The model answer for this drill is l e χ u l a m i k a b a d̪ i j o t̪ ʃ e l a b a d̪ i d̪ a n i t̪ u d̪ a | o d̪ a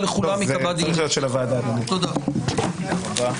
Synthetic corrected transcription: l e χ u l a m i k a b a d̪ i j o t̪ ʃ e l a v a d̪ a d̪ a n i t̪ o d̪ a | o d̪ a